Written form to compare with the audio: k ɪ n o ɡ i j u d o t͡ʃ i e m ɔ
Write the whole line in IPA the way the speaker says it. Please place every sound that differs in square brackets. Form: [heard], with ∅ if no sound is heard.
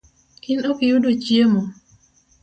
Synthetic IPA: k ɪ n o [k] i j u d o t͡ʃ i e m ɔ

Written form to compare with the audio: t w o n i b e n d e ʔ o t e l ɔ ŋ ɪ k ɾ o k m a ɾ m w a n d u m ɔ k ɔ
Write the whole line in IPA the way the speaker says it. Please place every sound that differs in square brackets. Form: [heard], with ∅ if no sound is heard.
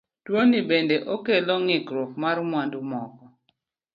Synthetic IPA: t w o n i b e n d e ʔ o [k] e l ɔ ŋ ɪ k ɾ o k m a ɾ m w a n d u m ɔ k ɔ

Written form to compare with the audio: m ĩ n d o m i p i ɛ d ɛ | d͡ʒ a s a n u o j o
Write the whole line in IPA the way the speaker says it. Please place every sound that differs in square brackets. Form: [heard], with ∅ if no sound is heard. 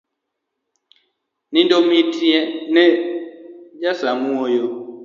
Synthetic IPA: [n] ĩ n d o m i [t] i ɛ [n] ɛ | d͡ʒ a s a [m] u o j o

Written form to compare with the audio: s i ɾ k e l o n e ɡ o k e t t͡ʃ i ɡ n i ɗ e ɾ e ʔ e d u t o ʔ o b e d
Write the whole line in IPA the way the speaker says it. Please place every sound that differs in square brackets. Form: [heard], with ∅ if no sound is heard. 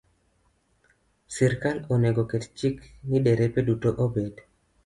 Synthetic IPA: s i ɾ k [a] l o n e ɡ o k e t t͡ʃ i [k] n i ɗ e ɾ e [p] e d u t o ʔ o b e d

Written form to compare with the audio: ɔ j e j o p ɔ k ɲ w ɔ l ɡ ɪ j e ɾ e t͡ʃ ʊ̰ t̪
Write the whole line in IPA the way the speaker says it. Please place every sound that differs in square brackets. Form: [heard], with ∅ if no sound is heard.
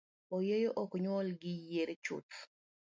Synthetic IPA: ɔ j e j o [ʔ] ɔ k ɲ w ɔ l ɡ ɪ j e ɾ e t͡ʃ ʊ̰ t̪

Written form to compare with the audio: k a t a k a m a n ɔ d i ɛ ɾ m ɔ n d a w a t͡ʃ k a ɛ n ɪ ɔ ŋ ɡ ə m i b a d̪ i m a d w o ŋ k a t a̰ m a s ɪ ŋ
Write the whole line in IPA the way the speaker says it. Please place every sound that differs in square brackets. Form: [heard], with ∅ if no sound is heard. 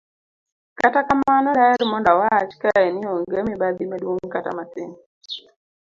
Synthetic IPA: k a t a k a m a n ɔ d [a] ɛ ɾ m ɔ n d a w a t͡ʃ k a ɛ n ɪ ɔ ŋ ɡ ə m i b a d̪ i m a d w o ŋ k a t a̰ m a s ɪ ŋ

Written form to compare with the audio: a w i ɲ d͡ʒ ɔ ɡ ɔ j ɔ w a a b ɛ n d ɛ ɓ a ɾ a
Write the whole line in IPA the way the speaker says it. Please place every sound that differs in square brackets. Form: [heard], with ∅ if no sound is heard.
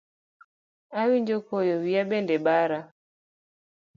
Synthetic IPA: a w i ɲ d͡ʒ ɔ [k] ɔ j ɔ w [i] a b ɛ n d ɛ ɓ a ɾ a

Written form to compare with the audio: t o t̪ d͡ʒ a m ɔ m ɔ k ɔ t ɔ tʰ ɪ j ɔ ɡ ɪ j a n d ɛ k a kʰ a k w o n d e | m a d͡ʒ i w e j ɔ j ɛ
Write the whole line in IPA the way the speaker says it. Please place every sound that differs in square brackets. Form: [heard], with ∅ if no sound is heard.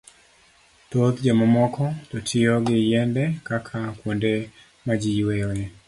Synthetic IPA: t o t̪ d͡ʒ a m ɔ m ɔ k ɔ t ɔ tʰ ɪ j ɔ ɡ ɪ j [ɛ] n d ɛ k a kʰ a k w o n d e | m a d͡ʒ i w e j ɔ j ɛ

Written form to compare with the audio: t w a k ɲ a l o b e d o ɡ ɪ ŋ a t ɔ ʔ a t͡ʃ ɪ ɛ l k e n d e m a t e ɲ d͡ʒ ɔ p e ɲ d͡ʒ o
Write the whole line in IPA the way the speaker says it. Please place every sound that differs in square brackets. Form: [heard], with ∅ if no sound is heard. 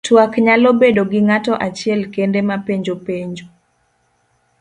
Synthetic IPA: t w a k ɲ a l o b e d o ɡ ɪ ŋ a t ɔ ʔ a t͡ʃ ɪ ɛ l k e n d e m a [p] e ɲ d͡ʒ [o] p e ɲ d͡ʒ o

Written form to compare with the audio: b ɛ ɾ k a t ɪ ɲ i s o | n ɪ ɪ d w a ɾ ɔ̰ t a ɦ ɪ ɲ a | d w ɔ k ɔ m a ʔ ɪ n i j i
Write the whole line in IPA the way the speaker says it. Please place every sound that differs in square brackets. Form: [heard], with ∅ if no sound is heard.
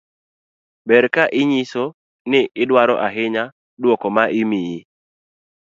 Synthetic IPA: b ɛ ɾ k a [ʔ] ɪ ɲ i s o | n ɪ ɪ d w a ɾ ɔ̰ [ʔ] a ɦ ɪ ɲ a | d w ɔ k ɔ m a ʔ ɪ [m] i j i

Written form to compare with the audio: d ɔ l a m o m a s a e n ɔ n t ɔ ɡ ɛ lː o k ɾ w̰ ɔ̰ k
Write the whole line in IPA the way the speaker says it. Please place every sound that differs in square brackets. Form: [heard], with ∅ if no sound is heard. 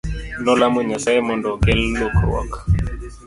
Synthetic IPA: [n] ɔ l a m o [ɲ] a s a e [m] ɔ n [d] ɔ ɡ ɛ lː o k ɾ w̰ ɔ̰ k

